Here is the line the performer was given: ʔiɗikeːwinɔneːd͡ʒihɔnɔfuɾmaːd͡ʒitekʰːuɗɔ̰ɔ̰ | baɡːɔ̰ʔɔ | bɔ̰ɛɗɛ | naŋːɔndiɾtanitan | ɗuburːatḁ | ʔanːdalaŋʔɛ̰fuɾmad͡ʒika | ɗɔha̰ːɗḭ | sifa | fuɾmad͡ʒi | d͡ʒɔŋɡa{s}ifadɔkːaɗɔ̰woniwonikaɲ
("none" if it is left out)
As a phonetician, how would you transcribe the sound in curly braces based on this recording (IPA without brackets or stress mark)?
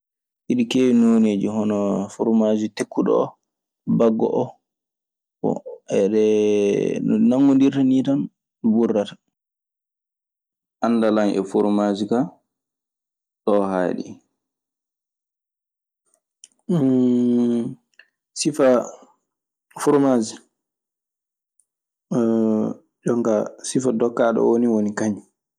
s